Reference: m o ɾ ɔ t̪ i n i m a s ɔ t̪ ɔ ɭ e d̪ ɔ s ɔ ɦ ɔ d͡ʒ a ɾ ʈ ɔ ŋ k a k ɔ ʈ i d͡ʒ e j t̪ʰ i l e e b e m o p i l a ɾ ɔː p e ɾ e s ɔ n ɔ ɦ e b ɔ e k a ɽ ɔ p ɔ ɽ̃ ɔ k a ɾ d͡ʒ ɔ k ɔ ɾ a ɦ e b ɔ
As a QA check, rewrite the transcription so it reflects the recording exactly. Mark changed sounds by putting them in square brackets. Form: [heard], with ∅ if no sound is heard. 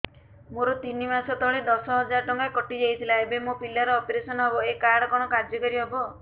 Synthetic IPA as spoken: m o ɾ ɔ t̪ i n i m a s ɔ t̪ ɔ ɭ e d̪ ɔ s ɔ ɦ ɔ d͡ʒ a ɾ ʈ ɔ ŋ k a k ɔ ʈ i d͡ʒ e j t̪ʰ i l [a] e b e m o p i l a ɾ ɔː p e ɾ e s ɔ n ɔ ɦ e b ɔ e k a ɽ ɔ [k] ɔ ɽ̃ ɔ k a ɾ d͡ʒ ɔ k ɔ ɾ [i] ɦ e b ɔ